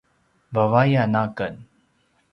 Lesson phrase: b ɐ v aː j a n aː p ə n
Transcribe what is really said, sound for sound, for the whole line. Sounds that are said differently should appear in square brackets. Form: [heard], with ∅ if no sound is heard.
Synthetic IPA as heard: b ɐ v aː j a n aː [k] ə n